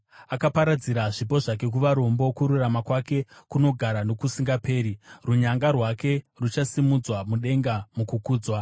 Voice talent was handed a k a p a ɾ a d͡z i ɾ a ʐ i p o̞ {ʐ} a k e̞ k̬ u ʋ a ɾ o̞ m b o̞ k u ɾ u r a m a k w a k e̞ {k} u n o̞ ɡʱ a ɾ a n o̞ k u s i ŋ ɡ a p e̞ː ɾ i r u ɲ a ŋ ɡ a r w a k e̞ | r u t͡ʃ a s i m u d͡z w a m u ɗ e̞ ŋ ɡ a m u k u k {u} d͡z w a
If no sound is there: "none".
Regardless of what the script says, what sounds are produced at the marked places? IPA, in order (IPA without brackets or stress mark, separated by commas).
ʐ, k, uː